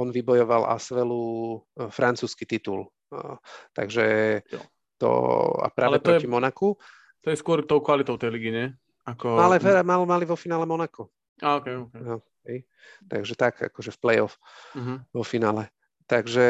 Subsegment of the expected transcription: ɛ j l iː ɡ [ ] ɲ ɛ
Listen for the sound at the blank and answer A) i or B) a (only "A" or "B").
A